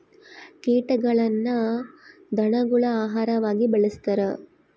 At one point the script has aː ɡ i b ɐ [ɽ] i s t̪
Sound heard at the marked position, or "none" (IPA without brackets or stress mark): ɭ